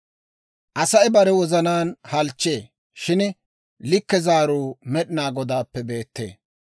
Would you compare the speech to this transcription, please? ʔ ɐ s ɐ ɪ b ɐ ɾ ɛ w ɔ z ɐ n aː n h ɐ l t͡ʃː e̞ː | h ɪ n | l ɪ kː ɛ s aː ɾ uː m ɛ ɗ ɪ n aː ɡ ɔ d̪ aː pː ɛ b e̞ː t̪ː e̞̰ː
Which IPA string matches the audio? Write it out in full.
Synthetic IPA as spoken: ʔ ɐ s ɐ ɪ b ɐ ɾ ɛ w ɔ z ɐ n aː n h ɐ l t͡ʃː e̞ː | ʃ ɪ n | l ɪ kː ɛ z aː ɾ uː m ɛ ɗ ɪ n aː ɡ ɔ d̪ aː pː ɛ b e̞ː t̪ː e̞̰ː